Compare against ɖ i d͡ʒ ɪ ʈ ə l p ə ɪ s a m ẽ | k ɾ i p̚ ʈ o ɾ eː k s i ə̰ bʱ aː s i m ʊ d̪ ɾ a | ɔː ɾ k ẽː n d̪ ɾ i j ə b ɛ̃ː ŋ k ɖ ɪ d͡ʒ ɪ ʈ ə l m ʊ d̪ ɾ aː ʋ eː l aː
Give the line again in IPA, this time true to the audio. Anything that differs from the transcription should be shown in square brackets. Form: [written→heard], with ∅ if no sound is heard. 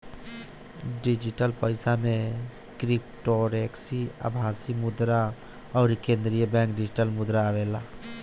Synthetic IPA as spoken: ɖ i d͡ʒ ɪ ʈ ə l p ə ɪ s a m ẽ | k ɾ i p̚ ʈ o ɾ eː k s i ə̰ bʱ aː s i m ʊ d̪ ɾ a | ɔː ɾ k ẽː n d̪ ɾ i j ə b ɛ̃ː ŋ k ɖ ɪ d͡ʒ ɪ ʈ ə l m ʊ d̪ ɾ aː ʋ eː l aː